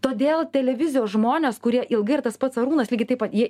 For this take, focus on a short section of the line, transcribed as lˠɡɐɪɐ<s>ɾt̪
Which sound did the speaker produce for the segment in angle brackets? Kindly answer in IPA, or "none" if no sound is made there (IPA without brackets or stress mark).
none